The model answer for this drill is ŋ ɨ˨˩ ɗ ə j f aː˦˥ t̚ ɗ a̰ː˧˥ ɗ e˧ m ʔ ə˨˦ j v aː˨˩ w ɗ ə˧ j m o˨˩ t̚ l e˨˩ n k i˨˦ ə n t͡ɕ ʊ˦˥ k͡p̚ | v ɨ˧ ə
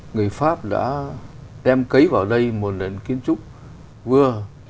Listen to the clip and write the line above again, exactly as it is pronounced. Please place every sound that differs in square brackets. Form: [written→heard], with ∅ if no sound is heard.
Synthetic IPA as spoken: ŋ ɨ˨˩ [ɗ→∅] ə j f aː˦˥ [t̚→p̚] ɗ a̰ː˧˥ ɗ [e˧→ɛ˧] m [ʔ→k] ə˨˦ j v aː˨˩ w ɗ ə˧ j m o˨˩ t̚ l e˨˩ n k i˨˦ ə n t͡ɕ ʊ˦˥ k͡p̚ | v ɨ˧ ə